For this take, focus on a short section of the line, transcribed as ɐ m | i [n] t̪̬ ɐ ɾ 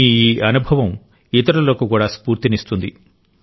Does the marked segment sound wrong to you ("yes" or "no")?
yes